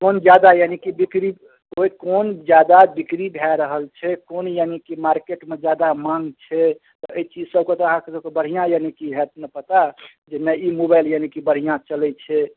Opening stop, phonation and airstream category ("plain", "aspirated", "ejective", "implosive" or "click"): plain